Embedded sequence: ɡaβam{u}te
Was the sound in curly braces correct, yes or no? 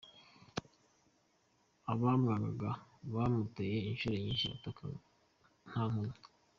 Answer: yes